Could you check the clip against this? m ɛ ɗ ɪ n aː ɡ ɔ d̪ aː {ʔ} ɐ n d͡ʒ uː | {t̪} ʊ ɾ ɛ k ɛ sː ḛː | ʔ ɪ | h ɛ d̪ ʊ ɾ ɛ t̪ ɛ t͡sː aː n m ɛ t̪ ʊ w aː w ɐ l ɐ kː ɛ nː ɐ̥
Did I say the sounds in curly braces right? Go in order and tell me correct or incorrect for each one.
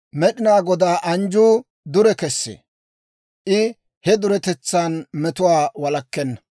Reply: correct, incorrect

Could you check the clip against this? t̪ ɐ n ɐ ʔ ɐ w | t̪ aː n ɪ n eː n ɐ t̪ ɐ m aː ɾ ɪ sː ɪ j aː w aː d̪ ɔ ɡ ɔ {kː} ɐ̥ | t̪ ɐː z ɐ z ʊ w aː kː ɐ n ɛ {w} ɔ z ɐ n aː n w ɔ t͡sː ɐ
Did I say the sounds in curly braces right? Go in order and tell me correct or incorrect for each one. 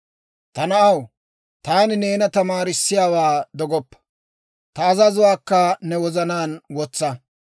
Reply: incorrect, correct

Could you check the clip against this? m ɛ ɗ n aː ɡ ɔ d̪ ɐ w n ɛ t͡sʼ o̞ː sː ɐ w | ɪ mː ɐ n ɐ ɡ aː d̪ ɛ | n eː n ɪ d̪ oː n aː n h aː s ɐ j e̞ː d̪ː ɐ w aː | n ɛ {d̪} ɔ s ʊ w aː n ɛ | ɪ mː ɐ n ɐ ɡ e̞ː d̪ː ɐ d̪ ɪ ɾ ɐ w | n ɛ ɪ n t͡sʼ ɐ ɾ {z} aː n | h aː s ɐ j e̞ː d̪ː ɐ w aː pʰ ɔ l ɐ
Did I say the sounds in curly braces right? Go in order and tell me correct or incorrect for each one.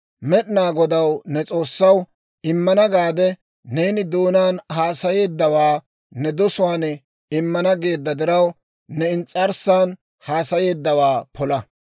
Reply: correct, incorrect

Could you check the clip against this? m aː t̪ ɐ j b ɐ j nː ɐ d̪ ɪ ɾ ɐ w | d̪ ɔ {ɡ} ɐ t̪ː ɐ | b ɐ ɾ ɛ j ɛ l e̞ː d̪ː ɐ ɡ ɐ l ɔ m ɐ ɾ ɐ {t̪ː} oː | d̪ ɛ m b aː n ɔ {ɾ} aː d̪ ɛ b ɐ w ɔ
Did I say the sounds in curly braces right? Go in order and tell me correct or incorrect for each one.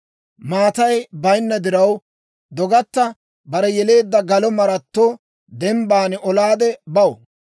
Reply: correct, correct, incorrect

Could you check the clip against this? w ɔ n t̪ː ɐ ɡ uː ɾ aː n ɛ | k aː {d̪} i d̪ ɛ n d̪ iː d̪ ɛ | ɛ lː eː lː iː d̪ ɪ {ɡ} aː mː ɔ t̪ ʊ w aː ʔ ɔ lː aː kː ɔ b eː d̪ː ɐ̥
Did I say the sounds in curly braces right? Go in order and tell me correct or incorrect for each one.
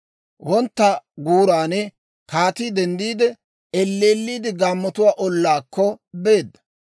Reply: incorrect, correct

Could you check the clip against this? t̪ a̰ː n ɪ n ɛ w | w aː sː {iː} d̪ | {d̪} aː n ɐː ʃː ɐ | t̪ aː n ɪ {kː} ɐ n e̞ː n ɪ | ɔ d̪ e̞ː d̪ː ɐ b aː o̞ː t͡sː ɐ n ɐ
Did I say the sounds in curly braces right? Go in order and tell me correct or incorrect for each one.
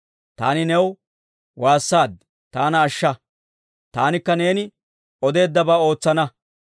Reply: incorrect, incorrect, correct

